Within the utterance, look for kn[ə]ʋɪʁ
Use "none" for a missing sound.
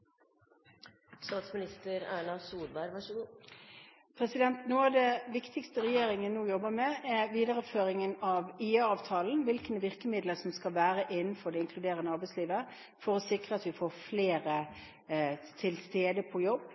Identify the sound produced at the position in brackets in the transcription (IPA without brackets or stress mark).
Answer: ə